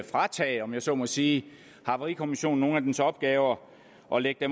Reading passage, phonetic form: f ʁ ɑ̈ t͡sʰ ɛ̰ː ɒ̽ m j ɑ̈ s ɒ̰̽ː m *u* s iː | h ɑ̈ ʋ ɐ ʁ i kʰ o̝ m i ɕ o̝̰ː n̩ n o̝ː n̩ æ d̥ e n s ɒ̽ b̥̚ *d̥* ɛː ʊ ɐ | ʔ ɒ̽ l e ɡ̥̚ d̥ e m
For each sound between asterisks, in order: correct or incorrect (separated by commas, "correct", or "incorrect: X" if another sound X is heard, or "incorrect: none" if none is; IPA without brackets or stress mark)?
incorrect: ɒ, incorrect: ɡ̥